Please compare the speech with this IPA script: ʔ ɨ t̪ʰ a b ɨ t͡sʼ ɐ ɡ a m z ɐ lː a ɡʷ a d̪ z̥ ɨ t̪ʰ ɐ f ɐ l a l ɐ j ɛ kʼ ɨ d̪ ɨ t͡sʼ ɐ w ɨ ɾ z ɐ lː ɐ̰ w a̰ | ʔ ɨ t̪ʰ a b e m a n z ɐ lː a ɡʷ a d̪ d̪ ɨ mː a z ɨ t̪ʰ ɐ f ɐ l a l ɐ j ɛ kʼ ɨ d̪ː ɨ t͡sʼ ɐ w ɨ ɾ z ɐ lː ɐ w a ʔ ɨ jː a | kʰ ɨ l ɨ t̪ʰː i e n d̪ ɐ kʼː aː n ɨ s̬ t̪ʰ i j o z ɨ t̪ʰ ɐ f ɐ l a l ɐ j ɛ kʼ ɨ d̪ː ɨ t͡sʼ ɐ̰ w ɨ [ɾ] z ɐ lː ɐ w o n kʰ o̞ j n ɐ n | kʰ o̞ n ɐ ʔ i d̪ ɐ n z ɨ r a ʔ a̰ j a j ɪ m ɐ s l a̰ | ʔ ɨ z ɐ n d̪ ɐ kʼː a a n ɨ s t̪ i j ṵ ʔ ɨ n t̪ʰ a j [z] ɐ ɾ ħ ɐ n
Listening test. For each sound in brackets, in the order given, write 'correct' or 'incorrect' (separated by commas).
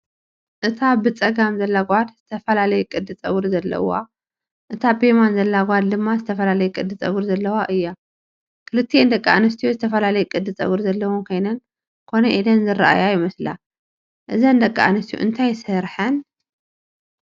correct, incorrect